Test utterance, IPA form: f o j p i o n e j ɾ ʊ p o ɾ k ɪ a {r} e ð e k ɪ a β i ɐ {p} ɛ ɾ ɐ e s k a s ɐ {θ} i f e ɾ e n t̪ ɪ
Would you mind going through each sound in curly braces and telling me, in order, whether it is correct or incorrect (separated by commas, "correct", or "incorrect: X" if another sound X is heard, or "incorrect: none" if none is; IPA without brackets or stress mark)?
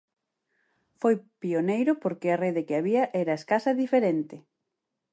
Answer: correct, incorrect: ʔ, incorrect: ð